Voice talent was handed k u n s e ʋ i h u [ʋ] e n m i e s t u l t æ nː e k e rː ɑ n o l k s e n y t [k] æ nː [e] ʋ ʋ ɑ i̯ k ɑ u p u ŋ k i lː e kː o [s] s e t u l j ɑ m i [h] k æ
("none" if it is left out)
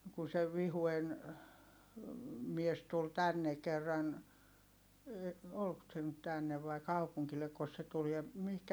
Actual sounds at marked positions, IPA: none, t, e, s, h

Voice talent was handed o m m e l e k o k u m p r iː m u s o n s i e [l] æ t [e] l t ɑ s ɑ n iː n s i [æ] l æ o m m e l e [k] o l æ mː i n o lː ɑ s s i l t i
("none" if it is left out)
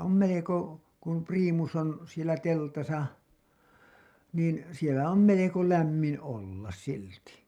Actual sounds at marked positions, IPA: l, e, e, k

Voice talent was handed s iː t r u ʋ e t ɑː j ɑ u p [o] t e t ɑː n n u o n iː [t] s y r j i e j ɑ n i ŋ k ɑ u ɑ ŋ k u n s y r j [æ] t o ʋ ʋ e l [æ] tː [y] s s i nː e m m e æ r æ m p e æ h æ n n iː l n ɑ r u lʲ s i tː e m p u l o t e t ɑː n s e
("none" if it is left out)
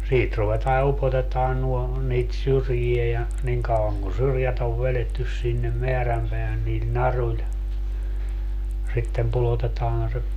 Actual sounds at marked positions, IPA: o, t, æ, e, y

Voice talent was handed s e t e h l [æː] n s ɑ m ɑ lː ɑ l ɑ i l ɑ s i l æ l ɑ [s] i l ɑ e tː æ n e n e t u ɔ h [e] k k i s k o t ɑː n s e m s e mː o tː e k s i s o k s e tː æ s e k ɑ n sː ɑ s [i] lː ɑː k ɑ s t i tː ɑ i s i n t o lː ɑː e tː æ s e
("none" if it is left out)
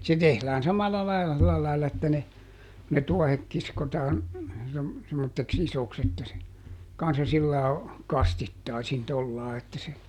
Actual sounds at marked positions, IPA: æː, none, e, i

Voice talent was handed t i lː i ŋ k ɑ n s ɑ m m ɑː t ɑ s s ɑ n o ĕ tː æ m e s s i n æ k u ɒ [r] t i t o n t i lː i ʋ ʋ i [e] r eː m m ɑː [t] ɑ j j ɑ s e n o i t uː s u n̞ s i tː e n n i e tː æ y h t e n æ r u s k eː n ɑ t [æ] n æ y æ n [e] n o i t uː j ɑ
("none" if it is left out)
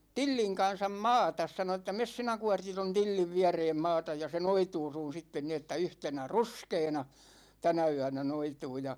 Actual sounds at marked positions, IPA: r, æ, t, æ, æ

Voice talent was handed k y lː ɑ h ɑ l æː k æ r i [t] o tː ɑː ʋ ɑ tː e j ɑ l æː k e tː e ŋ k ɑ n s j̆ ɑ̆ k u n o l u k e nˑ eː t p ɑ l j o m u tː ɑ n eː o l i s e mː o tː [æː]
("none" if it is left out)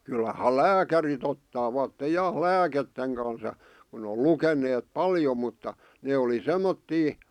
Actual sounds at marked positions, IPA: t, iː

